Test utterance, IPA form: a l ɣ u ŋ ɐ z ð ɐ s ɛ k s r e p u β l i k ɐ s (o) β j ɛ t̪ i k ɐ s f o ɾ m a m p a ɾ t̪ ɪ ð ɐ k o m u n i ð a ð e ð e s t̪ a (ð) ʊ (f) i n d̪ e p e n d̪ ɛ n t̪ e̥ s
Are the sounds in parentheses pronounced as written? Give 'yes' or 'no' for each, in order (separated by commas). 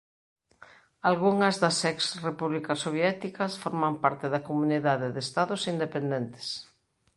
yes, yes, no